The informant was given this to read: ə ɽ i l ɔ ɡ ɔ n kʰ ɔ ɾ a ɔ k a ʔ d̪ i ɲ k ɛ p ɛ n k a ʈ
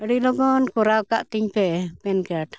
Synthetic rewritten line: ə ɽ i l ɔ ɡ ɔ n k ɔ ɾ a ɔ k a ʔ t̪ i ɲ p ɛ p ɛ n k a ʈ